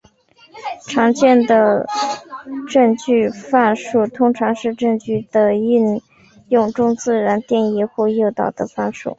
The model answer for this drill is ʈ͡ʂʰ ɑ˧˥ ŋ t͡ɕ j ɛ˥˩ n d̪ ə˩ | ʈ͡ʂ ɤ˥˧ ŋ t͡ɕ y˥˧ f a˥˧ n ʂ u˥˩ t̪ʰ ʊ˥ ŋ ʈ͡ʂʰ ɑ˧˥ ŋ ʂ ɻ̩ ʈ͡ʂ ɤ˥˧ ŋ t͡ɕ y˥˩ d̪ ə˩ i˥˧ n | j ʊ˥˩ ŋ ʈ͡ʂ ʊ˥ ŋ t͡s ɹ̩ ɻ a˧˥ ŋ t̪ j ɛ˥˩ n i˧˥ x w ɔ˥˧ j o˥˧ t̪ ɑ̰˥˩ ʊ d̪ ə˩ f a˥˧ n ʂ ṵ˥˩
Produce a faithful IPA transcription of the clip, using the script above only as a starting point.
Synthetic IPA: ʈ͡ʂʰ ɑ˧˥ ŋ t͡ɕ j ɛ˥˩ n d̪ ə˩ | ʈ͡ʂ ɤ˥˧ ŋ t͡ɕ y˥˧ f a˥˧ n ʂ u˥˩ t̪ʰ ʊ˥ ŋ ʈ͡ʂʰ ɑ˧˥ ŋ ʂ ɻ̩ ʈ͡ʂ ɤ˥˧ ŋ t͡ɕ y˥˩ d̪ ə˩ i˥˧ n | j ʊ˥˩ ŋ ʈ͡ʂ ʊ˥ ŋ t͡s ɹ̩ ɻ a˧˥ n t̪ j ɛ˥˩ n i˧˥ x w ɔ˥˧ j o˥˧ t̪ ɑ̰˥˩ ʊ d̪ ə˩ f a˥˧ n ʂ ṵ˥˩